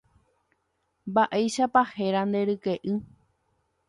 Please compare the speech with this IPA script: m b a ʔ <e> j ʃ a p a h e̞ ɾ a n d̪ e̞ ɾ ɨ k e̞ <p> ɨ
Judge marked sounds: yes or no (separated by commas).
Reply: yes, no